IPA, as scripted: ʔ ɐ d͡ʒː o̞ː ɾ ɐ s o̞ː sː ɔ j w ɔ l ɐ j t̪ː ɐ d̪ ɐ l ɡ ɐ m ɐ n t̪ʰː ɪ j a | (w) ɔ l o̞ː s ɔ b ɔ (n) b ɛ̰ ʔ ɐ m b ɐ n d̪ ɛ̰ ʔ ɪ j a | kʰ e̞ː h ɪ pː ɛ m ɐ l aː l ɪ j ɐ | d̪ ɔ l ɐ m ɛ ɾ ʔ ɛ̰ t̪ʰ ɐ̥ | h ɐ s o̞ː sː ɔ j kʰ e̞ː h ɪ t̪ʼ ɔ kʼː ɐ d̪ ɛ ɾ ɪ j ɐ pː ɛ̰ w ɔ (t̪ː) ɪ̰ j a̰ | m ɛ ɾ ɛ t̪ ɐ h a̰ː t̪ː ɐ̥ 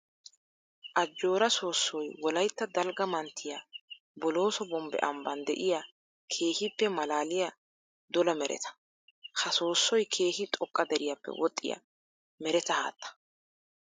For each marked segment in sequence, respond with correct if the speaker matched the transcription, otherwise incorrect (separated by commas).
incorrect, incorrect, incorrect